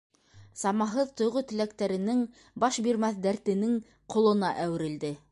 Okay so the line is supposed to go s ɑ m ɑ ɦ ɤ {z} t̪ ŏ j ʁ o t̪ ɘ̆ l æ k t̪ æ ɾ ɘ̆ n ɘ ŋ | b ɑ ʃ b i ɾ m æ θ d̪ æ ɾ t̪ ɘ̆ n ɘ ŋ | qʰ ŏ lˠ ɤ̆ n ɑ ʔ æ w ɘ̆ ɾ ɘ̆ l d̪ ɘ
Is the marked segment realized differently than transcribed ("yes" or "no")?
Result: yes